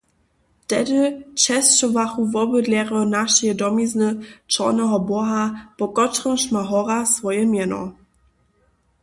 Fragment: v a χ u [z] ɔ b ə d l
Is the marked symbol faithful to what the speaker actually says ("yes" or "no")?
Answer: no